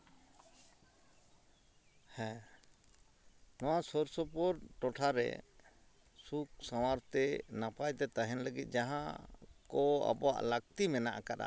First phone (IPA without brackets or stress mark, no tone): h